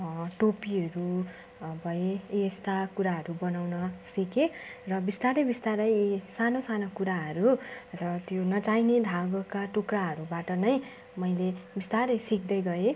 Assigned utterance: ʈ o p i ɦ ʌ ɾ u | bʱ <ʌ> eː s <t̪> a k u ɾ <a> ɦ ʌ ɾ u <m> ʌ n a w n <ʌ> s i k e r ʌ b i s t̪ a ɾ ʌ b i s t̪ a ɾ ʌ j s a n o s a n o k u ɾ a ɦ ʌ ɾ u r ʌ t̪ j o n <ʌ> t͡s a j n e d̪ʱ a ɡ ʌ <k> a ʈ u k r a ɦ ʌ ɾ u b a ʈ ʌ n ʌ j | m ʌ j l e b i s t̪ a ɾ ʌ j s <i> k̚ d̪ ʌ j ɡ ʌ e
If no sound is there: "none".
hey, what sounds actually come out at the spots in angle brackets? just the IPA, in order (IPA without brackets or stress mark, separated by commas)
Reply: ʌ, t̪, a, b, ʌ, ʌ, k, i